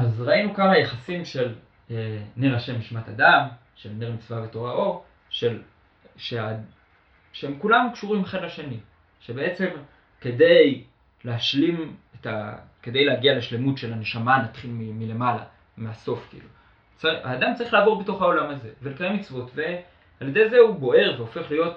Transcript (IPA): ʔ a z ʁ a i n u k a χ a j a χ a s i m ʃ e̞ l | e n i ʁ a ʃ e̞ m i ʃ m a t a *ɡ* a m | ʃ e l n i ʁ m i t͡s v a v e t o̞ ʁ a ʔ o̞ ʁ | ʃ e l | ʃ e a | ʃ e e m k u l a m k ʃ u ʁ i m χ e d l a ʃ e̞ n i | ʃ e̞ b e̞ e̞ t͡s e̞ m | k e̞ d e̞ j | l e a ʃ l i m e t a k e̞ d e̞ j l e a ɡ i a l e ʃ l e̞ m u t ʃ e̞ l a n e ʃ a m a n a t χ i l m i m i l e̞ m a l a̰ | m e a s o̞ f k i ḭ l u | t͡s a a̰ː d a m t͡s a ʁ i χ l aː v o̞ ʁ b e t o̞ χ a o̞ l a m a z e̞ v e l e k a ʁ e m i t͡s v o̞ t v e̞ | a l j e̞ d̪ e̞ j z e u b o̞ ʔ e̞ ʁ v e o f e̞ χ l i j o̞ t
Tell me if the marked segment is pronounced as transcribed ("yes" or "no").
no